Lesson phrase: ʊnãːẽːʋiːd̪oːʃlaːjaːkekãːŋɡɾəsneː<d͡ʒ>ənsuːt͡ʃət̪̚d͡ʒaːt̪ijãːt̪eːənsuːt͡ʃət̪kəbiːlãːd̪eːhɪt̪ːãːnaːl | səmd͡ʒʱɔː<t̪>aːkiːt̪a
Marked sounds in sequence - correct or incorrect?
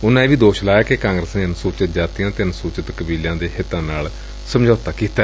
incorrect, correct

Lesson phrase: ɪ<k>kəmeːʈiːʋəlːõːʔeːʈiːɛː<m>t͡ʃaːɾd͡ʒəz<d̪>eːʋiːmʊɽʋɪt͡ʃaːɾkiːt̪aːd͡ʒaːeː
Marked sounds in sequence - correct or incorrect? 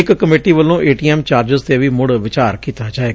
correct, correct, incorrect

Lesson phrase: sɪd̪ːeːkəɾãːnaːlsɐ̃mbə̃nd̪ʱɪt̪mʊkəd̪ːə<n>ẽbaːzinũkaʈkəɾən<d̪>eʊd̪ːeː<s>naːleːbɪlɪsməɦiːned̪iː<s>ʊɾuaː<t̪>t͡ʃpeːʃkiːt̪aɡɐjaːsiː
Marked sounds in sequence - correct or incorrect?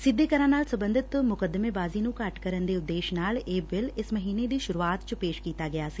incorrect, correct, incorrect, incorrect, correct

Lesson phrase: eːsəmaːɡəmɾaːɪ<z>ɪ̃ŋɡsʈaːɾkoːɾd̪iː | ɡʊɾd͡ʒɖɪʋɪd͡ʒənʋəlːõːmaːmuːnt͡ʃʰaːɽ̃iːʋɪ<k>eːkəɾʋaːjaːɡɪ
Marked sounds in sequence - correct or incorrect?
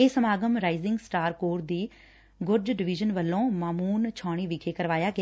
correct, incorrect

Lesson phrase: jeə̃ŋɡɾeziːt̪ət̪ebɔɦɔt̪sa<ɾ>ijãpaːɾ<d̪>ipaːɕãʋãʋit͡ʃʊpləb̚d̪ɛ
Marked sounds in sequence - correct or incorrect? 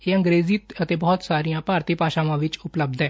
correct, incorrect

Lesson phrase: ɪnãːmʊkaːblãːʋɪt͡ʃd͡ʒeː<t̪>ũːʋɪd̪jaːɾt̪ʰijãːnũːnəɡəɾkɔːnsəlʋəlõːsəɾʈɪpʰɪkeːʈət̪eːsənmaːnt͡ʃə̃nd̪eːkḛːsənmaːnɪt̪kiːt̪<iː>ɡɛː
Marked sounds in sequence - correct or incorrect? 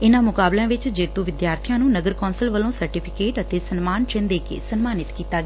correct, incorrect

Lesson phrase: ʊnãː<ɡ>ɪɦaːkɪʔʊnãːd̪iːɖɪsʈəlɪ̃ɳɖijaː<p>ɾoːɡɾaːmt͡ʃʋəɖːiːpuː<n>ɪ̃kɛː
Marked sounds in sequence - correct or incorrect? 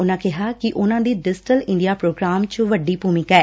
incorrect, correct, incorrect

